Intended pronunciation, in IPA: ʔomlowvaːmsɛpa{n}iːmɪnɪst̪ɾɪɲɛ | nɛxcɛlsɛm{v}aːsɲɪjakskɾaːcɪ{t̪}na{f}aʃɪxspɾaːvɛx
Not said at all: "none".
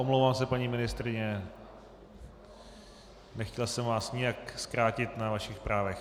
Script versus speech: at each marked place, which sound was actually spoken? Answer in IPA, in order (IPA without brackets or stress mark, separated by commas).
ɲ, v, t̪, v